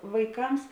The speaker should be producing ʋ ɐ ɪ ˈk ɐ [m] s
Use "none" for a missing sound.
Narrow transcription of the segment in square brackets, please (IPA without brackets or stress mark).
m